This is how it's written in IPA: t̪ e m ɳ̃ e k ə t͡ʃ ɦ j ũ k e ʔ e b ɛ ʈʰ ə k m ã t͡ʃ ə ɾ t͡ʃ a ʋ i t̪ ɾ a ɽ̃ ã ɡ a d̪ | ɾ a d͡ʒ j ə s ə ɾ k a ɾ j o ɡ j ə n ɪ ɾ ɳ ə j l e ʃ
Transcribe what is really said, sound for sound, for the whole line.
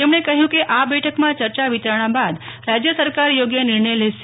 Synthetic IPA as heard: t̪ e m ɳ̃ e k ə ɦ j ũ k e ʔ a b ɛ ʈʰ ə k m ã t͡ʃ ə ɾ t͡ʃ a ʋ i t̪ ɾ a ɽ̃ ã b a d̪ | ɾ a d͡ʒ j ə s ə ɾ k a ɾ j o ɡ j ə n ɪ ɾ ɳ ə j l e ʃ